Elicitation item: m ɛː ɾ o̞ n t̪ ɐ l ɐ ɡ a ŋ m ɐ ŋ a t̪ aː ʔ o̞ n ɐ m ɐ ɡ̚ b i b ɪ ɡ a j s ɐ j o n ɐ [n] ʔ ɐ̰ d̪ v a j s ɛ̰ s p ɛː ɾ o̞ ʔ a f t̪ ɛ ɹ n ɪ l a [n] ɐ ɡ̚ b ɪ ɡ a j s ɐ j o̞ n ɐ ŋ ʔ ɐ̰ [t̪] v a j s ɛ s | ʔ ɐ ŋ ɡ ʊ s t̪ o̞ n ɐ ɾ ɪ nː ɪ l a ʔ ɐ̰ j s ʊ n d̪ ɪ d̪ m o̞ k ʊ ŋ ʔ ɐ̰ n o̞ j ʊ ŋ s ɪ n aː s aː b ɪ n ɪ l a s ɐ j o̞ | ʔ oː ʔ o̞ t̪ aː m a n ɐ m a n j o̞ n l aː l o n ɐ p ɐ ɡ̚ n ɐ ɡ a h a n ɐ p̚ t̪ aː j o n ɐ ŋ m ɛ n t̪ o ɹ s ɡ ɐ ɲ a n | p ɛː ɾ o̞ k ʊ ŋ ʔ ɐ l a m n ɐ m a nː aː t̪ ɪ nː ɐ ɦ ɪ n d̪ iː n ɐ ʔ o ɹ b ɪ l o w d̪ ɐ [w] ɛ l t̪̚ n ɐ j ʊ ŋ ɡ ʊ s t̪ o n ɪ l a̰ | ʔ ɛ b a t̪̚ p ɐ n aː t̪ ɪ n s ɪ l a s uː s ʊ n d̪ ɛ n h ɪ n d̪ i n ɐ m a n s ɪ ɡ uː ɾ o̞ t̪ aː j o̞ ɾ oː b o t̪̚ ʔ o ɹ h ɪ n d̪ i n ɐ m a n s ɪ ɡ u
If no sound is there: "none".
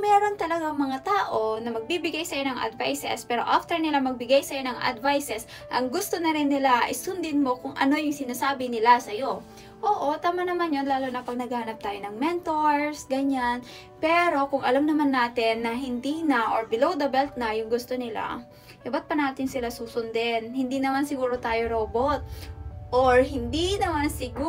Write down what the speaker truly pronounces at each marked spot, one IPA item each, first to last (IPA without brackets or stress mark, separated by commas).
ŋ, m, d̪, b